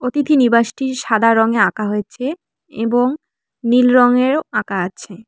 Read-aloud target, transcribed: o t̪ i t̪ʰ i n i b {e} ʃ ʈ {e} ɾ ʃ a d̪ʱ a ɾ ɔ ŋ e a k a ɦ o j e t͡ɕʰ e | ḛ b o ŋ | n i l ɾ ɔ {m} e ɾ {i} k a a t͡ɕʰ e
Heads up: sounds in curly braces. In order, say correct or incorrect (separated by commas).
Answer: incorrect, incorrect, incorrect, incorrect